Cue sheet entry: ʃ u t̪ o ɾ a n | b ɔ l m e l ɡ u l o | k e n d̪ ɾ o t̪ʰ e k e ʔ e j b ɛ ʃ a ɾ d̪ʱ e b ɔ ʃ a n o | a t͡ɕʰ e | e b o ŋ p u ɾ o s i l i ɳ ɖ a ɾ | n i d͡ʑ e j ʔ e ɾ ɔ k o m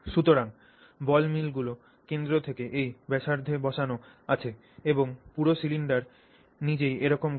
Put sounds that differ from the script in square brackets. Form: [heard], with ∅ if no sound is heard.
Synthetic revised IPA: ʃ u t̪ o ɾ a [ŋ] | b ɔ l m [i] l ɡ u l o | k e n d̪ ɾ o t̪ʰ e k e ʔ e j b ɛ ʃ a ɾ d̪ʱ e b ɔ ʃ a n o | a t͡ɕʰ e | e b o ŋ p u ɾ o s i l i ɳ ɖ a ɾ | n i d͡ʑ e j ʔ e ɾ ɔ k o m